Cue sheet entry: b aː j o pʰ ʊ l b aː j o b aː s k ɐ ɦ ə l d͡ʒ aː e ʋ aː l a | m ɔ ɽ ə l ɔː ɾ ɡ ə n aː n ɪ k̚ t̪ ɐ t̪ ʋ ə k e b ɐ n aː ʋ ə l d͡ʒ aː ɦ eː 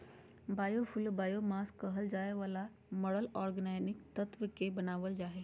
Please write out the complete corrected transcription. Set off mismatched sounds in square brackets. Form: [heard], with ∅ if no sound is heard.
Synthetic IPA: b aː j o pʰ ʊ l b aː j o [m] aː s k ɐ ɦ ə l d͡ʒ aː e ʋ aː l a | m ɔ ɽ ə l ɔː ɾ ɡ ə n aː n ɪ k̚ t̪ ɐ t̪ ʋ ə k e b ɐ n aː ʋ ə l d͡ʒ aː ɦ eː